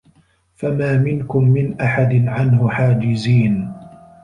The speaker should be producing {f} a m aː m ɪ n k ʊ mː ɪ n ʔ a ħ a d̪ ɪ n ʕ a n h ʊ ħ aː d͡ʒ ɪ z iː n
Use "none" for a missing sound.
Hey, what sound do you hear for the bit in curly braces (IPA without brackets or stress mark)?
f